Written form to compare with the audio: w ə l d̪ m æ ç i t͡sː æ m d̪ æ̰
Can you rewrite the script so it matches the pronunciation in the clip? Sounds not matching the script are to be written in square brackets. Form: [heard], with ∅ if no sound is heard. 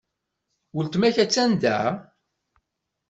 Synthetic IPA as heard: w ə l [t̪] m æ ç [æ] t͡sː æ [n] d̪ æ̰